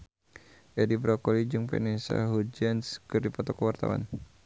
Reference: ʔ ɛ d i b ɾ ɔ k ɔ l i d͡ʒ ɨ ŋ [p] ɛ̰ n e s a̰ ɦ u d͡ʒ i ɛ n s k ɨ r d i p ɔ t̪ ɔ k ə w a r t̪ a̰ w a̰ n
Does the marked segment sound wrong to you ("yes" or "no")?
no